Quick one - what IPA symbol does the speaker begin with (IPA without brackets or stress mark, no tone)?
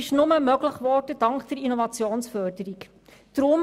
ɪ